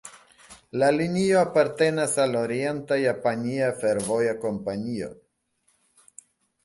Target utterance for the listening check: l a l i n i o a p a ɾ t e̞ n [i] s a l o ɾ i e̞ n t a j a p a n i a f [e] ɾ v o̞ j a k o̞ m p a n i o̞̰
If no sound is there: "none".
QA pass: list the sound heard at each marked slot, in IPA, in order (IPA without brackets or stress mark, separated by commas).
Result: a, e